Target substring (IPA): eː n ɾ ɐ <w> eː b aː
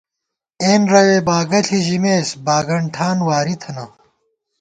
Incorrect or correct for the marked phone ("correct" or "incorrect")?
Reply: correct